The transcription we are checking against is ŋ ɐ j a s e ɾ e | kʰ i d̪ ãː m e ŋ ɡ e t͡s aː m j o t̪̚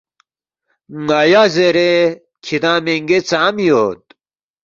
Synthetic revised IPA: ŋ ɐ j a z e ɾ e | kʰ i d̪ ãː m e ŋ ɡ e t͡s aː m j o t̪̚